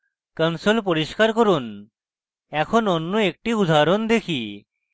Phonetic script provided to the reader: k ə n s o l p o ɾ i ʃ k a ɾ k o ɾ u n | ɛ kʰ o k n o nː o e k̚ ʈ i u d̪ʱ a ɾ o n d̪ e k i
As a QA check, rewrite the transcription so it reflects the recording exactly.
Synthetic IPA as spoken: k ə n s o l p o ɾ i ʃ k a ɾ k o ɾ u n | ɛ kʰ o n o nː o e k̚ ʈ i u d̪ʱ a ɾ o n d̪ e kʰ i